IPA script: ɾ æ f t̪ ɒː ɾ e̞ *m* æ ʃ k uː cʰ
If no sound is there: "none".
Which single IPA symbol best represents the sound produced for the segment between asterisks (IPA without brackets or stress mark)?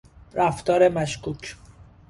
m